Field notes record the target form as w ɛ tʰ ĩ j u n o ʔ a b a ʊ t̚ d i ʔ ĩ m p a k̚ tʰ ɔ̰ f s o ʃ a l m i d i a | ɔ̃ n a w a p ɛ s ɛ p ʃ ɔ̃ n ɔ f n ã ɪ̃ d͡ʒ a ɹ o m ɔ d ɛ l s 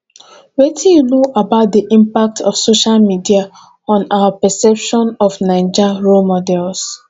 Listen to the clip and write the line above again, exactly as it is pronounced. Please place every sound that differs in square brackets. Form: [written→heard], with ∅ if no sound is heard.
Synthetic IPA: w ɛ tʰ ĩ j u n o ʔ a b a ʊ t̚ d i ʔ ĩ m p a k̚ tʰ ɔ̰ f s o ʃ a l m i d i a | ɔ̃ n a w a p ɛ s ɛ p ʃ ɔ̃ n ɔ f n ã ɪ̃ d͡ʒ a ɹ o m ɔ d ɛ l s